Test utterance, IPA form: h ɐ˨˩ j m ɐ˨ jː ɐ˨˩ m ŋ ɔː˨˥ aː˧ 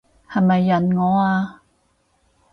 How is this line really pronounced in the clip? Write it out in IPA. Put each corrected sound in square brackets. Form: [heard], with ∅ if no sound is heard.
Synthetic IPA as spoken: h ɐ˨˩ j m ɐ˨ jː ɐ˨˩ [n] ŋ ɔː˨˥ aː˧